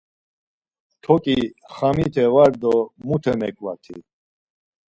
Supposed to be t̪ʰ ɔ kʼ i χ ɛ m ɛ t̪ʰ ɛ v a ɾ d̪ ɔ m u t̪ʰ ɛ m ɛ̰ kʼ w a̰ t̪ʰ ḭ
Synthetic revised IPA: t̪ʰ ɔ kʼ i χ a m i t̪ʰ ɛ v a ɾ d̪ ɔ m u t̪ʰ ɛ m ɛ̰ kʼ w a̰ t̪ʰ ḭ